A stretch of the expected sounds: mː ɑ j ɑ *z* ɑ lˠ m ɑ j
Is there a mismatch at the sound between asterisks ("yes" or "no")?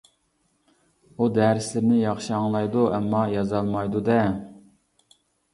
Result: no